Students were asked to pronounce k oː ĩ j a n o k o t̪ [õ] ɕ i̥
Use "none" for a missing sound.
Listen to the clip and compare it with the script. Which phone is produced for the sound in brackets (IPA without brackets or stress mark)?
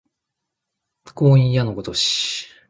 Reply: o